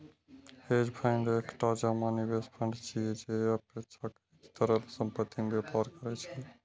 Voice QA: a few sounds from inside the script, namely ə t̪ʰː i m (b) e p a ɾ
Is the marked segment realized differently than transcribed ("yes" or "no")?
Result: no